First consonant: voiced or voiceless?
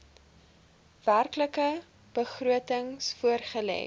voiced